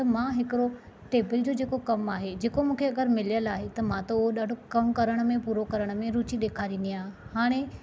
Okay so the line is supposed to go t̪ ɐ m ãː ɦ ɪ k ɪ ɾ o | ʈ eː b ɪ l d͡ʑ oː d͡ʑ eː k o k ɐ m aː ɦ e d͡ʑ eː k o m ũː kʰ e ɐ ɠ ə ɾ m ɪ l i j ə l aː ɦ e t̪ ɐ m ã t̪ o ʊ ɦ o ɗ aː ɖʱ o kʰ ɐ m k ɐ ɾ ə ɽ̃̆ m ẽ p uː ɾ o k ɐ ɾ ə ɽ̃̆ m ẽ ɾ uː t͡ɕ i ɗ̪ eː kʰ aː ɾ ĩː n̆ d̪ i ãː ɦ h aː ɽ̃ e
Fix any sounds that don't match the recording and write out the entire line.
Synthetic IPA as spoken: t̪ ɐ m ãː ɦ ɪ k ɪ ɾ o | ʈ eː b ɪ l d͡ʑ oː d͡ʑ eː k o k ɐ m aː ɦ e d͡ʑ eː k o m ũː kʰ e ɐ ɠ ə ɾ m ɪ l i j ə l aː ɦ e t̪ ɐ m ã t̪ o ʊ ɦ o ɗ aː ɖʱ o k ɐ m k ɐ ɾ ə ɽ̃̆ m ẽ p uː ɾ o k ɐ ɾ ə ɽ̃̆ m ẽ ɾ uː t͡ɕ i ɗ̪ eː kʰ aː ɾ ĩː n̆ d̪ i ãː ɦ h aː ɽ̃ e